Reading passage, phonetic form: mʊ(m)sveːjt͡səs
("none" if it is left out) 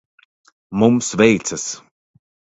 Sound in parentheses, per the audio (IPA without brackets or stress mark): m